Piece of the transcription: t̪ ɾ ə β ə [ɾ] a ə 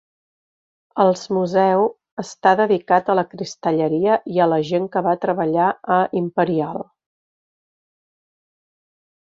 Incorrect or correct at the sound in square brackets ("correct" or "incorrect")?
incorrect